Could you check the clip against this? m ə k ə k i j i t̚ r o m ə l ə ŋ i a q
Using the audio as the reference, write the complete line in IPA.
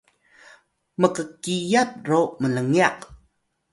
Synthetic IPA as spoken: m ə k ə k i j a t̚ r o m ə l ə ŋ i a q